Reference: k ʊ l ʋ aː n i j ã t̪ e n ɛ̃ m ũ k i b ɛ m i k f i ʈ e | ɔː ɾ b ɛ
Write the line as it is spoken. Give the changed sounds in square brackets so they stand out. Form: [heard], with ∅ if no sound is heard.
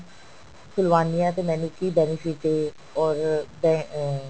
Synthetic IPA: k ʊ l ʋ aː n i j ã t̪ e [m] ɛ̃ [n] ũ k i b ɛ [n] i [∅] f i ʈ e | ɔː ɾ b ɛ